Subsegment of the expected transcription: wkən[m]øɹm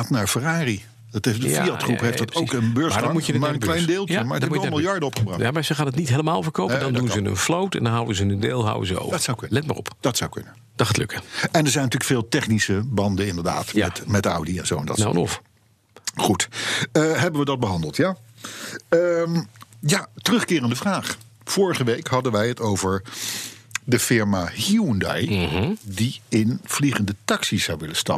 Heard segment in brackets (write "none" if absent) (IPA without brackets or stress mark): b